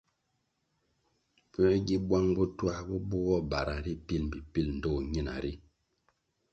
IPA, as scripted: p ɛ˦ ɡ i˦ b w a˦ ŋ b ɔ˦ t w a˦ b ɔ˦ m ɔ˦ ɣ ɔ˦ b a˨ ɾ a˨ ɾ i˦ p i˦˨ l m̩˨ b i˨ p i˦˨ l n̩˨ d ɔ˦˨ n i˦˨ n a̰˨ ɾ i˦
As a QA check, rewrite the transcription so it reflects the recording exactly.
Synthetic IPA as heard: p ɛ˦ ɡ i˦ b w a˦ ŋ b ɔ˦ t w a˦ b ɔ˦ b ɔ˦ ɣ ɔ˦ b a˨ ɾ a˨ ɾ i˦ p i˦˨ l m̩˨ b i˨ p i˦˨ l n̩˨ d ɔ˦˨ ɲ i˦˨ n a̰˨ ɾ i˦